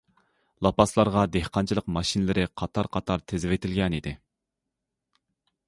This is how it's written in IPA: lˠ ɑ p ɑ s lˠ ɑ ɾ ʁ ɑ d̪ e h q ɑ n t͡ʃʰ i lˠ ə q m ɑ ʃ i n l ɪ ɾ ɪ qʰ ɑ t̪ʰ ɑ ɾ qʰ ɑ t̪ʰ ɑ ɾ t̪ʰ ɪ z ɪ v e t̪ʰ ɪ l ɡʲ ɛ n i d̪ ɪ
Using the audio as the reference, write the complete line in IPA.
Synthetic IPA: lˠ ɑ p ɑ s lˠ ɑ ɾ ʁ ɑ d̪ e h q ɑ n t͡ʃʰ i lˠ ə q m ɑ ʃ i n l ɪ ɾ ɪ qʰ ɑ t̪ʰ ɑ ɾ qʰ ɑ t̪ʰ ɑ ɾ t̪ʰ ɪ z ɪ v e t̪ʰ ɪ l ɡʲ ɛ n i d̪ ɪ